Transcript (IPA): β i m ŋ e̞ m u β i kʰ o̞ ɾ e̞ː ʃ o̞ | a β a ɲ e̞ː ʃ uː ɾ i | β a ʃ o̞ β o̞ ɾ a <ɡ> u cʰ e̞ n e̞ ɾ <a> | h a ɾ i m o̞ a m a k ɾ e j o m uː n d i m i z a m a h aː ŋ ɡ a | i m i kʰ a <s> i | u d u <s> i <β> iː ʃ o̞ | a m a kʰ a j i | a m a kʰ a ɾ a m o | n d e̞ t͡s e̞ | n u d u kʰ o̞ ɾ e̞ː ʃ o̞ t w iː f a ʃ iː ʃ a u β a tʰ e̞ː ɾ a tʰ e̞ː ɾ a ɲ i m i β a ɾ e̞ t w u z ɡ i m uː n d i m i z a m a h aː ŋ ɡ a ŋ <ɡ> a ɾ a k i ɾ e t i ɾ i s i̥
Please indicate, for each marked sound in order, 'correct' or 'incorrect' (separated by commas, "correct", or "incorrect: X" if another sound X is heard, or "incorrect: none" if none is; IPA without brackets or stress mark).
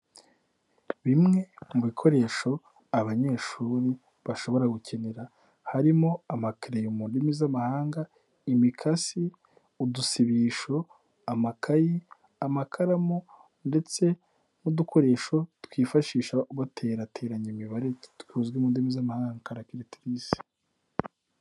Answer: correct, correct, correct, correct, correct, incorrect: k